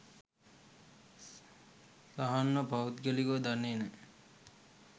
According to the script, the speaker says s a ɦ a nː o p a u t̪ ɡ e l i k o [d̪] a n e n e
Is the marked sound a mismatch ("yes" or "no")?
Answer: no